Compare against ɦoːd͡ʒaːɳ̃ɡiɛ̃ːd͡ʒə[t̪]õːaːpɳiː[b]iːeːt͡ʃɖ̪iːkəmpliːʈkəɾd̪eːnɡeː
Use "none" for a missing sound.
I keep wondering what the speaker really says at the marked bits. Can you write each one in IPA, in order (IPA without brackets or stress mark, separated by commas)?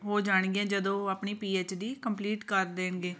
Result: d̪, p